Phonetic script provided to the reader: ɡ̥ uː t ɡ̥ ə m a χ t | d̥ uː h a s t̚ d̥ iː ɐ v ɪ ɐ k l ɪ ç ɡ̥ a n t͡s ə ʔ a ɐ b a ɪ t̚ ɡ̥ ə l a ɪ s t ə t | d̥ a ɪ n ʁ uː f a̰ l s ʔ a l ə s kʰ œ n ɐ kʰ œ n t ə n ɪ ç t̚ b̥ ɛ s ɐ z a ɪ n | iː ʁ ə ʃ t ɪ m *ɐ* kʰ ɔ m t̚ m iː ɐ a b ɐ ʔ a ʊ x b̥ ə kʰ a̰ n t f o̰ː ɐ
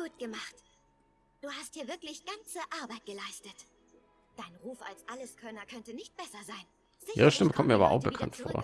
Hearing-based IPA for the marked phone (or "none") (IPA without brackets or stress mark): ə